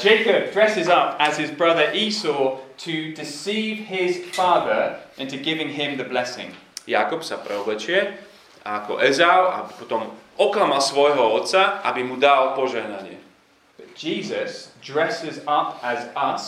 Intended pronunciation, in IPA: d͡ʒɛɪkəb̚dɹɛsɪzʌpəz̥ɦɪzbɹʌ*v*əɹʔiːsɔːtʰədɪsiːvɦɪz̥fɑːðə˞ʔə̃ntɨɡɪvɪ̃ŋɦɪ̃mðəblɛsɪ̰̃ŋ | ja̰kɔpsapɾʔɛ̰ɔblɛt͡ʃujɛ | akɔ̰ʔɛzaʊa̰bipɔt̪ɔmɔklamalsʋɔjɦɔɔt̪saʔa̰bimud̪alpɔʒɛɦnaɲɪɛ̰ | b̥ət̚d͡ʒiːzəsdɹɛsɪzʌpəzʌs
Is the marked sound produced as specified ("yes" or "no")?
no